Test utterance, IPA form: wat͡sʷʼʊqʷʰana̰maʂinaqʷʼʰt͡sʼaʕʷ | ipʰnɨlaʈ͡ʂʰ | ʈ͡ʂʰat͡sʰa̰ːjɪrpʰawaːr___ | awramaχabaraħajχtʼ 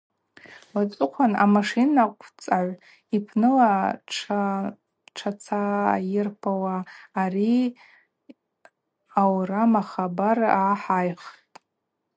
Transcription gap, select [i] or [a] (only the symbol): i